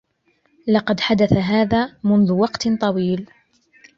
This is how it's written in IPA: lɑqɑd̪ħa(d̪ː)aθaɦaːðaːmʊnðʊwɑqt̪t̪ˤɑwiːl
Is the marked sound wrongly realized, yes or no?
yes